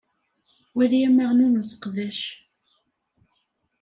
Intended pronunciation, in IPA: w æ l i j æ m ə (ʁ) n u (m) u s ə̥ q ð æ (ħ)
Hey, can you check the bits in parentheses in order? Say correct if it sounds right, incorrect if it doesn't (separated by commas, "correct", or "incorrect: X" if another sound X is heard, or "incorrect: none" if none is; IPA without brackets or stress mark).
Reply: correct, incorrect: n, incorrect: ʃ